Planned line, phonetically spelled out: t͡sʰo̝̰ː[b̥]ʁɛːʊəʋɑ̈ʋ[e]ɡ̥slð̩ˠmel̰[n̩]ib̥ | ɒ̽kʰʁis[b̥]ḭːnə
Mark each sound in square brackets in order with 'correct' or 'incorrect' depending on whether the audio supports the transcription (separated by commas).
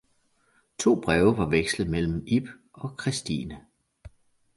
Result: correct, correct, incorrect, incorrect